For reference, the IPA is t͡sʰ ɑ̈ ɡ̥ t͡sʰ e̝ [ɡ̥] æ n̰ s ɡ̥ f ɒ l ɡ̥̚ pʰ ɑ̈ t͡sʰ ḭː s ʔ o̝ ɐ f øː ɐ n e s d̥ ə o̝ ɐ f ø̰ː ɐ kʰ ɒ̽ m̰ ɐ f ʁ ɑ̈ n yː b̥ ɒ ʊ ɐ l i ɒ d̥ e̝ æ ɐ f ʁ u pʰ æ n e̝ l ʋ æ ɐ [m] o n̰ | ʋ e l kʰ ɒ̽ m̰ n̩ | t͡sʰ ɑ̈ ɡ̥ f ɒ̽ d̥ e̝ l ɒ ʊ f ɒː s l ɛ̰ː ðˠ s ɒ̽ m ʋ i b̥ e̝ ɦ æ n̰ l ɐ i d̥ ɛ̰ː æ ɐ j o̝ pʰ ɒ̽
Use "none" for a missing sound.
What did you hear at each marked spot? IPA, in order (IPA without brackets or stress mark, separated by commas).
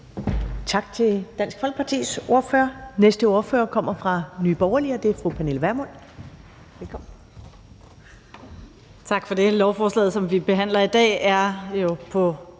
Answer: d̥, m